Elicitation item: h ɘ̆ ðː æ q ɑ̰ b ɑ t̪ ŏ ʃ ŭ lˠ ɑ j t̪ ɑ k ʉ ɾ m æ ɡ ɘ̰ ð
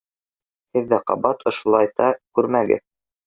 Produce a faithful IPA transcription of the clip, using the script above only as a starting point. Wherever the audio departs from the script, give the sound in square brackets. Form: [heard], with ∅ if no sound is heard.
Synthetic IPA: h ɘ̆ ðː æ q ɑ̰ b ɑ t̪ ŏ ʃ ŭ lˠ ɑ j t̪ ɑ k ʉ ɾ m æ ɡ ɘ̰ ð